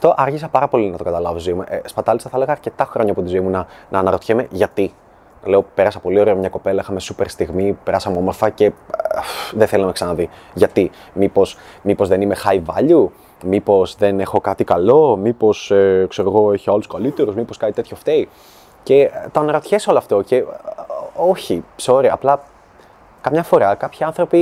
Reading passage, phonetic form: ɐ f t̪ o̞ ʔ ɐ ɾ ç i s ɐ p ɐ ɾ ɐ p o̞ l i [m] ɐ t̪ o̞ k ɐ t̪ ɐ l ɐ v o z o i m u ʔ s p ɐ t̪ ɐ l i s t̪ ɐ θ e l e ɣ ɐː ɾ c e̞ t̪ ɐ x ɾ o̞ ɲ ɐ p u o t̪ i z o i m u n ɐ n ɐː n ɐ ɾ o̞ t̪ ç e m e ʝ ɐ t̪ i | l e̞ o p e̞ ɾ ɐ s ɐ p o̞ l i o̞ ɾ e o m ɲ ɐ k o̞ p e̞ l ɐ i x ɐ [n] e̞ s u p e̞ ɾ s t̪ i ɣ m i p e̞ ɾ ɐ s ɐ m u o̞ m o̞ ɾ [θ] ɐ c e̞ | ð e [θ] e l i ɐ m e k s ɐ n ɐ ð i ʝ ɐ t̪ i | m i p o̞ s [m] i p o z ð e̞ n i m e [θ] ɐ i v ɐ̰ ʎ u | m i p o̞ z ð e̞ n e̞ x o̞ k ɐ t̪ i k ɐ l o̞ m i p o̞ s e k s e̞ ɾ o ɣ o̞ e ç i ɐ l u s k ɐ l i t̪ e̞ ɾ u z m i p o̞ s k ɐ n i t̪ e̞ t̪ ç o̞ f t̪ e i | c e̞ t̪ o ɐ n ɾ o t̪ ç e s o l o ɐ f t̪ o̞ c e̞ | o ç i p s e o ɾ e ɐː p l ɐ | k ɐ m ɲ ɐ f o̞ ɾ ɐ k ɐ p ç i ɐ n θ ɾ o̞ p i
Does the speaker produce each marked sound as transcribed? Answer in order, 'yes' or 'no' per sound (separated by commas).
no, no, no, yes, yes, no